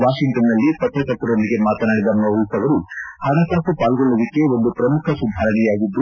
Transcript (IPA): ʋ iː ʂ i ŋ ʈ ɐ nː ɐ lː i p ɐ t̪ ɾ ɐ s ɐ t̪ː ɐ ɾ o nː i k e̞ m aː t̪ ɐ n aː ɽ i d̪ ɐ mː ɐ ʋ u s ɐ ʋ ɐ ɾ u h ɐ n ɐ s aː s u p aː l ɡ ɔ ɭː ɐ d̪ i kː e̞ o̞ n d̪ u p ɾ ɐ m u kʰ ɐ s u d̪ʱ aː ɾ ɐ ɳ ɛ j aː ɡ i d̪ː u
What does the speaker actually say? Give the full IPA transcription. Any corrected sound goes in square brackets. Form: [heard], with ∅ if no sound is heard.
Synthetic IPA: ʋ [aː] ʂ i ŋ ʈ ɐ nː ɐ lː i p ɐ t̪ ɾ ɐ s ɐ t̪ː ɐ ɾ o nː i [ɡ] e̞ m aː t̪ ɐ n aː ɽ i d̪ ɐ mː ɐ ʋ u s ɐ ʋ ɐ ɾ u h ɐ n ɐ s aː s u p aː l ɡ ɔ ɭː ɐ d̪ i kː e̞ o̞ n d̪ u p ɾ ɐ m u kʰ ɐ s u d̪ʱ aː ɾ ɐ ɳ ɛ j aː ɡ i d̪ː u